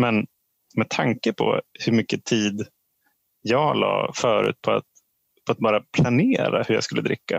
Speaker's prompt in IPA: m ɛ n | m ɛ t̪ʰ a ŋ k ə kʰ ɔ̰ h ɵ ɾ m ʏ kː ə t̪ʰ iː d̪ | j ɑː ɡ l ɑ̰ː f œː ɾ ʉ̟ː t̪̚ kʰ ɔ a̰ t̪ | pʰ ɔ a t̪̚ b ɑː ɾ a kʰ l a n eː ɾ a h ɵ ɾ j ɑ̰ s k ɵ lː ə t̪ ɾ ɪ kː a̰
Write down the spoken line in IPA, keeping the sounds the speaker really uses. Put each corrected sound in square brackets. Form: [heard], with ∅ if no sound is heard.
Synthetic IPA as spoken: m ɛ n | m ɛ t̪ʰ a ŋ k ə [pʰ] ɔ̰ h ɵ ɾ m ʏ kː ə t̪ʰ iː d̪ | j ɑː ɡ l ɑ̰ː f œː ɾ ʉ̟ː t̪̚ [pʰ] ɔ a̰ t̪ | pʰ ɔ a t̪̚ b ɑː ɾ a [pʰ] l a n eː ɾ a h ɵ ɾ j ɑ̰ s k ɵ lː ə [d̪] ɾ ɪ kː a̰